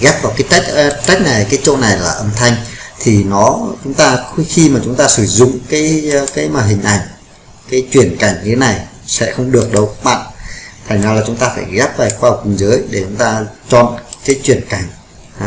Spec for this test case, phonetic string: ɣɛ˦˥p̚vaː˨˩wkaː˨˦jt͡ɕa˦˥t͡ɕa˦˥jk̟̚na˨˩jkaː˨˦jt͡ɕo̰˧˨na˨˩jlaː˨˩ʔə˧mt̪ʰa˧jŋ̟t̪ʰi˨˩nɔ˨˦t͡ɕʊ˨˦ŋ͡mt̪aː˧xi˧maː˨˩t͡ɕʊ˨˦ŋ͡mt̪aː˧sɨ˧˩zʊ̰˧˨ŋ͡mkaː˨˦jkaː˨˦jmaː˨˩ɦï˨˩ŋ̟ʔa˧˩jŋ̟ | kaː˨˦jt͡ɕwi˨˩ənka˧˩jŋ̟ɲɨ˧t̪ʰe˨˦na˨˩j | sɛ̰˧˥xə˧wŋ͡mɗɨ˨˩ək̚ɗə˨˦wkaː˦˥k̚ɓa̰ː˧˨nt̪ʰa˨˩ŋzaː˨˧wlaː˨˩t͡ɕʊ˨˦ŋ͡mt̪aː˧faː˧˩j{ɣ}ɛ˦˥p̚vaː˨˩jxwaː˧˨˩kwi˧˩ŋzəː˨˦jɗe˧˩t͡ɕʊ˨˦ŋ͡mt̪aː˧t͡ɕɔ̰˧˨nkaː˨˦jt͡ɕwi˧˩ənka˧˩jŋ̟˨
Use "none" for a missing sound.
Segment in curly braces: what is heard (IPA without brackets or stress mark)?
ɣ